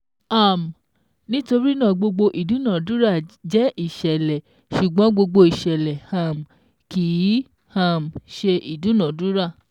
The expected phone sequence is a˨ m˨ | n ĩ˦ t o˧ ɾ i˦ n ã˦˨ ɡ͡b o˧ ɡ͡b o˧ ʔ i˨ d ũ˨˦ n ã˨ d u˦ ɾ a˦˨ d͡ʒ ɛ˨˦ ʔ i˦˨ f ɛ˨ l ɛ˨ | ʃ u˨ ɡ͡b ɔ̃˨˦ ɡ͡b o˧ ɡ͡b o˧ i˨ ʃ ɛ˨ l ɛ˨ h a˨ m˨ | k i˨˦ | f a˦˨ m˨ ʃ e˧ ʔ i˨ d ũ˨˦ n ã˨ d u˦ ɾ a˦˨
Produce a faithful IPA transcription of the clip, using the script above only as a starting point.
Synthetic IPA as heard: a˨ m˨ | n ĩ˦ t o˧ ɾ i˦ n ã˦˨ ɡ͡b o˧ ɡ͡b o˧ ʔ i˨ d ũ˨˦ n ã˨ d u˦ ɾ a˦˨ d͡ʒ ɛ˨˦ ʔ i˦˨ ʃ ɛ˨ l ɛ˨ | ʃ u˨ ɡ͡b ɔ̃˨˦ ɡ͡b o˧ ɡ͡b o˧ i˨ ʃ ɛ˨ l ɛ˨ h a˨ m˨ | k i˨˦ | h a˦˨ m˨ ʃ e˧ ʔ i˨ d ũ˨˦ n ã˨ d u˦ ɾ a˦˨